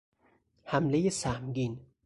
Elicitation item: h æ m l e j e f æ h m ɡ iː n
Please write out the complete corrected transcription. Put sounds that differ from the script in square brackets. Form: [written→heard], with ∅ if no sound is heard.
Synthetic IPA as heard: h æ m l e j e [f→s] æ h m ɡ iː n